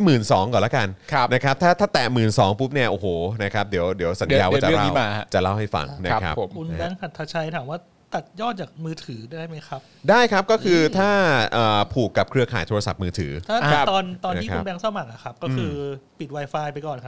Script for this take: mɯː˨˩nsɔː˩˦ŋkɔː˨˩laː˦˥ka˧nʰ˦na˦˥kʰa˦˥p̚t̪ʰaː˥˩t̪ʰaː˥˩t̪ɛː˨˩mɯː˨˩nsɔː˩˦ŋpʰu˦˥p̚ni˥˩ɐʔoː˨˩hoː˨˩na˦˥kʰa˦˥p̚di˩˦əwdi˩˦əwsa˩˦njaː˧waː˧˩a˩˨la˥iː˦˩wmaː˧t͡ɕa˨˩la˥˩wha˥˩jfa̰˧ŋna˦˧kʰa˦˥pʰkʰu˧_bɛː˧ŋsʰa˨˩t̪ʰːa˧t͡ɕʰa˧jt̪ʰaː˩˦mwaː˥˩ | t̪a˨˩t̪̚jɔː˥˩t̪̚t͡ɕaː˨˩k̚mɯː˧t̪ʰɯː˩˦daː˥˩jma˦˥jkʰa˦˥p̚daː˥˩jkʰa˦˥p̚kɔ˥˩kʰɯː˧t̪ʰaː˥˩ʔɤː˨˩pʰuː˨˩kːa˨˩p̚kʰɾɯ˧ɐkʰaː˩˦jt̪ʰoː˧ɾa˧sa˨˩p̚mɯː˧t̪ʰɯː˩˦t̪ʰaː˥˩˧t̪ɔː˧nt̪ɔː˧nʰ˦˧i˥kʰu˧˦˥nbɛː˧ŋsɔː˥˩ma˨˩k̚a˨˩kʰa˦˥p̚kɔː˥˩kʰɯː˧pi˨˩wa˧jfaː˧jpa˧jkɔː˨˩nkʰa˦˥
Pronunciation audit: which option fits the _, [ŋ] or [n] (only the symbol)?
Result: n